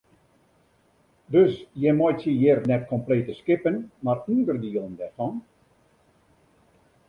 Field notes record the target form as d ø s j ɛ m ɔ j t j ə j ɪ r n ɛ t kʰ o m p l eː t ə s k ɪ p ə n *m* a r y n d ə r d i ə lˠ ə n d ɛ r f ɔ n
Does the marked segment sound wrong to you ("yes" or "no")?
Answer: no